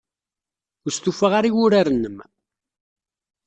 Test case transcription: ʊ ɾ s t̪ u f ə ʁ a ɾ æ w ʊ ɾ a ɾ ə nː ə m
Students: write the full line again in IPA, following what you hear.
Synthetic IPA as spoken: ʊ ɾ s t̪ u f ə ʁ a ɾ i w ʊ ɾ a ɾ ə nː ə m